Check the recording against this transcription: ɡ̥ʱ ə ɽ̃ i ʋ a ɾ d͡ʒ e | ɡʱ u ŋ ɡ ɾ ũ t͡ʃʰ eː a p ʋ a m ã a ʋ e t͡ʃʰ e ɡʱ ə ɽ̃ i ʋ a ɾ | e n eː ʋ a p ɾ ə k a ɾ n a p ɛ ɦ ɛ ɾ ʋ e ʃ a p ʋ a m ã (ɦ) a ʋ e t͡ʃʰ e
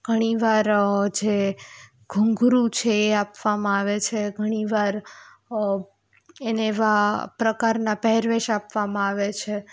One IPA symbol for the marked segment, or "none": none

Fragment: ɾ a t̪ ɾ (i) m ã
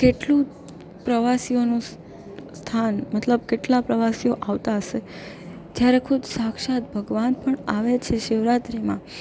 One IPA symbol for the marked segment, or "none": i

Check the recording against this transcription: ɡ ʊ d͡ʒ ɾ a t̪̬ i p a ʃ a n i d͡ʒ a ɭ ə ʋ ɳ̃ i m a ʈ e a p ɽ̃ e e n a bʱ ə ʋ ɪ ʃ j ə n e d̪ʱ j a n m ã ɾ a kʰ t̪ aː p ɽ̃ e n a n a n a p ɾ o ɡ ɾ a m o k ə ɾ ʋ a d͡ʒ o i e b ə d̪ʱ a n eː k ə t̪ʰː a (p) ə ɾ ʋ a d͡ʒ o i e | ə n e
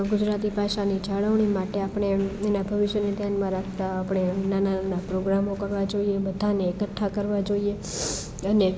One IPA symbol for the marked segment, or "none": k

